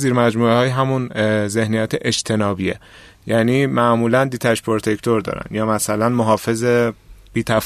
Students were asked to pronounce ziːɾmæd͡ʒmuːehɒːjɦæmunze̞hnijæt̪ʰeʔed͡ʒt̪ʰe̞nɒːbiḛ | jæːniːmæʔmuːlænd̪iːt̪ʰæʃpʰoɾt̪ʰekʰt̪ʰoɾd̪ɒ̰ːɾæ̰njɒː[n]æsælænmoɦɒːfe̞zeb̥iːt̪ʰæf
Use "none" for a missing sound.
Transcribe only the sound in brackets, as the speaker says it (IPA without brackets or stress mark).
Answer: m